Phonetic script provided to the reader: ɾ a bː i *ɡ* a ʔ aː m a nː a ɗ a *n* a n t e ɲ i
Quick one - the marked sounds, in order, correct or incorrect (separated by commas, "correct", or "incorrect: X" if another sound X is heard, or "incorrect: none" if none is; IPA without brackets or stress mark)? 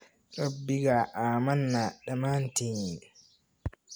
correct, incorrect: m